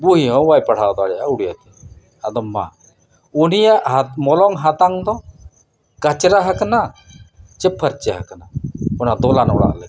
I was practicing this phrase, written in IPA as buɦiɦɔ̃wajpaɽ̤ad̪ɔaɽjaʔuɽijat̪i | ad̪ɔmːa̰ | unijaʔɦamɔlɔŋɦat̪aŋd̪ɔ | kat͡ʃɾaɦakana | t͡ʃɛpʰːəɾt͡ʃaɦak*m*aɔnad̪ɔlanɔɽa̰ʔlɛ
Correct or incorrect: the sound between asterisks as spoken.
incorrect: n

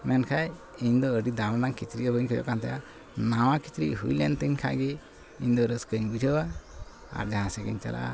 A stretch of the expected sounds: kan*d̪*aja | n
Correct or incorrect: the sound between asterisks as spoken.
incorrect: t̪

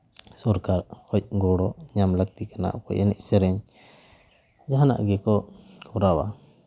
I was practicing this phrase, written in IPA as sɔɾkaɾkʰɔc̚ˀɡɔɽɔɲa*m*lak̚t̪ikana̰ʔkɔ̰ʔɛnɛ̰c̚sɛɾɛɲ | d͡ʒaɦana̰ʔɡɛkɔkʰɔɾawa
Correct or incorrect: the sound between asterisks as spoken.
correct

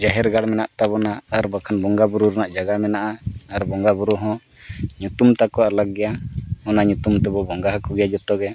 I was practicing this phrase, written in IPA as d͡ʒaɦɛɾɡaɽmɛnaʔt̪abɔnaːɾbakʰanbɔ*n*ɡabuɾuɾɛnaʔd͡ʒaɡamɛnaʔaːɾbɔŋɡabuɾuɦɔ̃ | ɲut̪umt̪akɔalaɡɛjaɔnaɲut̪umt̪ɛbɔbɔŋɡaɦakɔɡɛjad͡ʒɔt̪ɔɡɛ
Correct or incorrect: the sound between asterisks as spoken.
incorrect: ŋ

